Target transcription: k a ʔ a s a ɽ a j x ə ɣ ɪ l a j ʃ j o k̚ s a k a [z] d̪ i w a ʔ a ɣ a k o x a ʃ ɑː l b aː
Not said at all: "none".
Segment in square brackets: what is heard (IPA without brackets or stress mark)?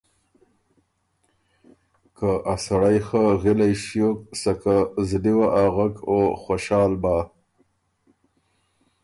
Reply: z